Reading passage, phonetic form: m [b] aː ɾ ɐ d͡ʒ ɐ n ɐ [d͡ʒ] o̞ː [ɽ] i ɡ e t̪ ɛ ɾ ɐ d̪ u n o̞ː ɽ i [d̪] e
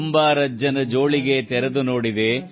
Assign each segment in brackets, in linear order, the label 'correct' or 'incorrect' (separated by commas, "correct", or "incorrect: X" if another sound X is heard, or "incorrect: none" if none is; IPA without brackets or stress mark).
correct, correct, incorrect: ɭ, correct